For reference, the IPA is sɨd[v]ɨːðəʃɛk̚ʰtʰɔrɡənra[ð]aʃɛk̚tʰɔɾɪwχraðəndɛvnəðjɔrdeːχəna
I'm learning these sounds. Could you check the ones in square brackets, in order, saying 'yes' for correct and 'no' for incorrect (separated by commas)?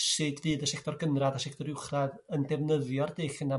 yes, yes